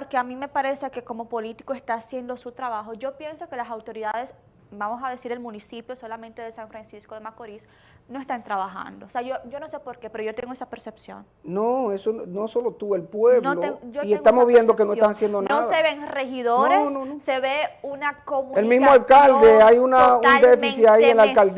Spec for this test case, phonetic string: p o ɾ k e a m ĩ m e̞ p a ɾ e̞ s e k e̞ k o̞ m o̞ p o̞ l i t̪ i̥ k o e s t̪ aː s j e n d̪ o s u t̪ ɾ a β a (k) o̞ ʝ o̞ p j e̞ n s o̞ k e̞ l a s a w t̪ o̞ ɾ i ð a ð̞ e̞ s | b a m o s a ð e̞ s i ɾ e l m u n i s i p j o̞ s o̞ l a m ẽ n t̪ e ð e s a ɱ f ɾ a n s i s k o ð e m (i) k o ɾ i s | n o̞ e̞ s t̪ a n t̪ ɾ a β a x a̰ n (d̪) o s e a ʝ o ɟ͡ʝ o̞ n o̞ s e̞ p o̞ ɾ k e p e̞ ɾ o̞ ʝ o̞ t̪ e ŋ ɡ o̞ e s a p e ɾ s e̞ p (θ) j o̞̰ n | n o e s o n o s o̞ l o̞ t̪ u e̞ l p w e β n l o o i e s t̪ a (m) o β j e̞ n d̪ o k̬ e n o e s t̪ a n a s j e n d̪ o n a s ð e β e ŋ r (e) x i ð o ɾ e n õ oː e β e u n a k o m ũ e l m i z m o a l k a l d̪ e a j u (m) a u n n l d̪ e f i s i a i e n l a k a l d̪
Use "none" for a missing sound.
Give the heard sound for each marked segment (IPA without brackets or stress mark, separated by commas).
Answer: x, a, d̪, s, m, e, n